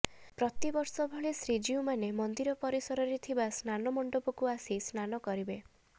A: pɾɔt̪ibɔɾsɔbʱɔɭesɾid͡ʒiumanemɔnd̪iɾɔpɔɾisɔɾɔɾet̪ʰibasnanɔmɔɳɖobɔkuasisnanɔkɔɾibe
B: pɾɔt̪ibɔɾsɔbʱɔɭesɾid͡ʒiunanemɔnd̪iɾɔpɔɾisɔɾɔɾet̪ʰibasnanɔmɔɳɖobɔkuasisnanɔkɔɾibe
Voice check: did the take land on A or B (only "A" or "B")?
A